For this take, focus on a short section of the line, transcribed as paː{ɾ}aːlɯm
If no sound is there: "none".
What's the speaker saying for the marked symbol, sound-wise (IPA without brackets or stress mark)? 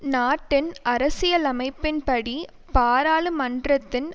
ɾ